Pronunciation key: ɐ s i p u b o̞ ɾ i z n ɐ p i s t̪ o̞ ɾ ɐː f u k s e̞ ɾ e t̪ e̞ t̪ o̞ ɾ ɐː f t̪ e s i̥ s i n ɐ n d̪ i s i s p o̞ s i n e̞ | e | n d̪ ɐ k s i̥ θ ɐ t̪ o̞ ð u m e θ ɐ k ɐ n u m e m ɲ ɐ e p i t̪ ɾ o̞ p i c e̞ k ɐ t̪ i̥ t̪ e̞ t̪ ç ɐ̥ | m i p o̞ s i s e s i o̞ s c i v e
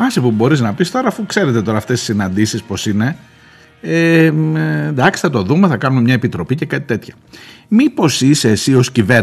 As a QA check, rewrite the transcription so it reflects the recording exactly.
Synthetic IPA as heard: ɐ s i p u b o̞ ɾ i z n ɐ p i s t̪ o̞ ɾ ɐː f u k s e̞ ɾ e t̪ e̞ t̪ o̞ ɾ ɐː f t̪ e s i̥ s i n ɐ n d̪ i s i s p o̞ s i n e̞ | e | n d̪ ɐ k s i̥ θ ɐ t̪ o̞ ð u m e θ ɐ k ɐ n u m e m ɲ ɐ e p i t̪ ɾ o̞ p i c e̞ k ɐ t̪ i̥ t̪ e̞ t̪ ç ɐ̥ | m i p o̞ s i s e s i o̞ s c i v e